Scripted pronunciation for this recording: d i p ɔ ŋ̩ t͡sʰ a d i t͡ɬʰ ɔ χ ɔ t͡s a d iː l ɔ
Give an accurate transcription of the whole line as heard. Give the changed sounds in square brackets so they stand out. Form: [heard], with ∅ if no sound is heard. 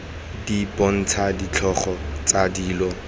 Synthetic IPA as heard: d i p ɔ [n̩] t͡sʰ a d i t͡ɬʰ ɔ χ ɔ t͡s a d iː l ɔ